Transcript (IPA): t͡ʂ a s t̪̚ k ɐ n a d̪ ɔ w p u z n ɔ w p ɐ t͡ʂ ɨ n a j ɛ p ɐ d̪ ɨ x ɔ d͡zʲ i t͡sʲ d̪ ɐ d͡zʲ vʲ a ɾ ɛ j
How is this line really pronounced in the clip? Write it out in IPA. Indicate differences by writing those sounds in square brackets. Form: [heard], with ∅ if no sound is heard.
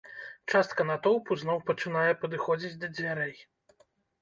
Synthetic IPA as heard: t͡ʂ a s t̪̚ k ɐ n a [t̪] ɔ w p u z n ɔ w p ɐ t͡ʂ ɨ n a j ɛ p ɐ d̪ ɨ x ɔ d͡zʲ i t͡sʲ d̪ ɐ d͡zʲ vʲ a ɾ ɛ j